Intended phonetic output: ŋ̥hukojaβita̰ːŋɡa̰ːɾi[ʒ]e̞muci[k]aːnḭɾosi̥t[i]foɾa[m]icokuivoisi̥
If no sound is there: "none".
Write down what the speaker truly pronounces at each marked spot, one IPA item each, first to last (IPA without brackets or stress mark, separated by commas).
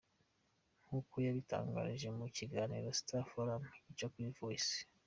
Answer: ʒ, ɡ, a, m